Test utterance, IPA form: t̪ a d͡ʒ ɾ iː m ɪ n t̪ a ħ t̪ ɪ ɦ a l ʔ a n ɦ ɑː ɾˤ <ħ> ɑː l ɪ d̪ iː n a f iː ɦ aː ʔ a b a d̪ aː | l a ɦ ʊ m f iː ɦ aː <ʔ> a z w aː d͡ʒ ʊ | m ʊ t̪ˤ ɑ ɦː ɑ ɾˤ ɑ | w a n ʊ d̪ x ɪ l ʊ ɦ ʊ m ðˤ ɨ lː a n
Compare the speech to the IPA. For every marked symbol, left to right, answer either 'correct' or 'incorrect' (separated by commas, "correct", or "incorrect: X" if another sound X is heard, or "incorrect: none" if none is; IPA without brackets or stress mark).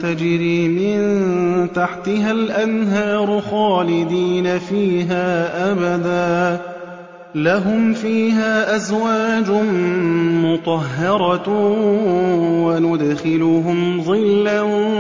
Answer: incorrect: x, correct